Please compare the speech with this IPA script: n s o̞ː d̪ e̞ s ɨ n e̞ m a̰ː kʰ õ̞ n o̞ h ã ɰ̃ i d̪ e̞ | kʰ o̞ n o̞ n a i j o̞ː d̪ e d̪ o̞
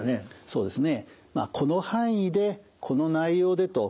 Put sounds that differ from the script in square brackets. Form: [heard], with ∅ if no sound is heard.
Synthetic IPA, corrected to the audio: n s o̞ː d̪ e̞ s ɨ n e̞ m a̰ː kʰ [o̞] n o̞ h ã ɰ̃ i d̪ e̞ | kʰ o̞ n o̞ n a i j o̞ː d̪ e [t̪] o̞